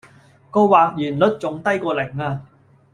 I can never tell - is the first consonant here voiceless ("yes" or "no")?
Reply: yes